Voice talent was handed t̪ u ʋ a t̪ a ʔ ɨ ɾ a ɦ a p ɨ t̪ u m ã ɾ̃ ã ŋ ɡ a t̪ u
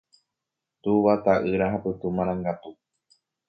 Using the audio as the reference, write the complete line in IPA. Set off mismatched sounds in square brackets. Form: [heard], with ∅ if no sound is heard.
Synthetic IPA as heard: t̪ u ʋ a t̪ a ʔ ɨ ɾ a ɦ a p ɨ t̪ u m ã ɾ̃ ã ŋ ɡ a t̪ u